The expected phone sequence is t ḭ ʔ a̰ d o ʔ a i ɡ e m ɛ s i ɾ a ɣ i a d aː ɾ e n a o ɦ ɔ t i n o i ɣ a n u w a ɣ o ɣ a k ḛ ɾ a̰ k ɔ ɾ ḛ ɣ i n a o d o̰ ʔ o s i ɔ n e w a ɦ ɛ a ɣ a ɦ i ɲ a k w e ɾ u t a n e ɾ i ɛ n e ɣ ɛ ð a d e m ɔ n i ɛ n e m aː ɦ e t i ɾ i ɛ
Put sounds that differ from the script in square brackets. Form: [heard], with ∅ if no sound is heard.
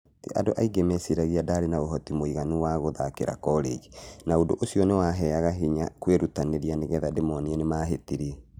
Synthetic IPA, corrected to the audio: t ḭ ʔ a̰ d o ʔ a i ɡ e m ɛ s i ɾ a ɣ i a d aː ɾ e n a o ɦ ɔ t i [m] o i ɣ a n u w a ɣ o [ð] a k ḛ ɾ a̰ k ɔ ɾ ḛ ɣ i n a o d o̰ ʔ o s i ɔ n e w a ɦ ɛ a ɣ a ɦ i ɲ a k w e ɾ u t a n e ɾ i [a] n e ɣ ɛ ð a d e m ɔ n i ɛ n e m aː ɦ e t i ɾ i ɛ